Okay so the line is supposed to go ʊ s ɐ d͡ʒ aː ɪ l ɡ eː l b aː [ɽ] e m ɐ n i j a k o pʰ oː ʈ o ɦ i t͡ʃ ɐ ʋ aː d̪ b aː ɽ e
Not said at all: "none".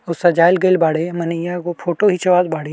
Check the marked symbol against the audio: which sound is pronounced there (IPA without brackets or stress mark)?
ɽ